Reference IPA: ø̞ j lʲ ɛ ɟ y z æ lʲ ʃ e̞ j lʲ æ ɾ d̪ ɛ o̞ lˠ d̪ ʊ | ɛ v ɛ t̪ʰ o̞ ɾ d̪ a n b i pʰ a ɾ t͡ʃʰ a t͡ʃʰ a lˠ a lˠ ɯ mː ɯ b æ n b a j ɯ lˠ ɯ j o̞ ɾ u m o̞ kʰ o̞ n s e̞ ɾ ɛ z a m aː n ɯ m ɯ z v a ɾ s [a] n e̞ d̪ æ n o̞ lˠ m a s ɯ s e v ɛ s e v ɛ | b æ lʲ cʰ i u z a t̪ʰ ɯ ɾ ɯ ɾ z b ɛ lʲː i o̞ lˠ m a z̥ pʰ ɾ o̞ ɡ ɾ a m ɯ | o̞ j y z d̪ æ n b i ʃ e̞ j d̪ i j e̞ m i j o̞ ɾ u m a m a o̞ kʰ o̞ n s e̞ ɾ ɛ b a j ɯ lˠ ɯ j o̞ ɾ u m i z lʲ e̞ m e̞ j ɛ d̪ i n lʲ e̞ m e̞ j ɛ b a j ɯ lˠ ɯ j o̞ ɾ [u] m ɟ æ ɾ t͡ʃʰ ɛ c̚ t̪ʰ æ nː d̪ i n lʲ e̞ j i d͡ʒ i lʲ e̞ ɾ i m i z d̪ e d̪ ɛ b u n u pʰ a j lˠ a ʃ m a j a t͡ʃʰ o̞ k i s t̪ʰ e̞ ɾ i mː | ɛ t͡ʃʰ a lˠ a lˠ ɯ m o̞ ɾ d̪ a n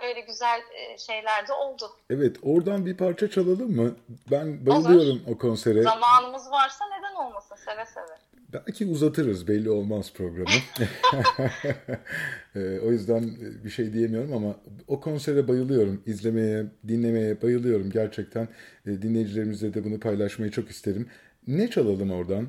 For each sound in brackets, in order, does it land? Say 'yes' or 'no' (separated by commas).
yes, yes